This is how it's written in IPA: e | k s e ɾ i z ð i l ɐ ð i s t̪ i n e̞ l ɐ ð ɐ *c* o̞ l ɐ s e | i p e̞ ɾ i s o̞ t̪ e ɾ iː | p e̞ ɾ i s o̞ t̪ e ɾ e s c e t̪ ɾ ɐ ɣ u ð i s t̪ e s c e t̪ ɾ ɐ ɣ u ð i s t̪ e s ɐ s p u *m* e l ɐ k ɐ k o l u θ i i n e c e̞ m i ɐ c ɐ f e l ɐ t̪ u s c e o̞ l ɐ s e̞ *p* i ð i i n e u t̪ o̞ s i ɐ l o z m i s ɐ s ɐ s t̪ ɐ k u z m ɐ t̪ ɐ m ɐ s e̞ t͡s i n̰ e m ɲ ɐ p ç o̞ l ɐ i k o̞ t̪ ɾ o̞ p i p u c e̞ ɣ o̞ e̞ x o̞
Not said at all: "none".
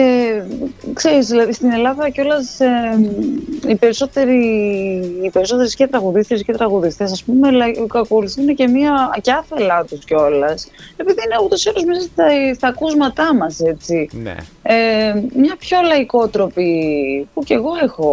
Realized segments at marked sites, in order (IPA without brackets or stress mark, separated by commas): c, m, p